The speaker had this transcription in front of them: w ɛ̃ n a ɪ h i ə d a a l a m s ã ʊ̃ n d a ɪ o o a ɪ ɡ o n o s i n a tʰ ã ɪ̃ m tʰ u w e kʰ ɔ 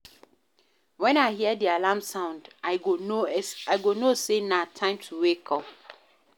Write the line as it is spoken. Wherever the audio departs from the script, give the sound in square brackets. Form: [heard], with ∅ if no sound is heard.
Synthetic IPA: w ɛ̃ n a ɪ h i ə d [i] a l a m s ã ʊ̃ n d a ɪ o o a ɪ ɡ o n o s [e] n a tʰ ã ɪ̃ m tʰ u w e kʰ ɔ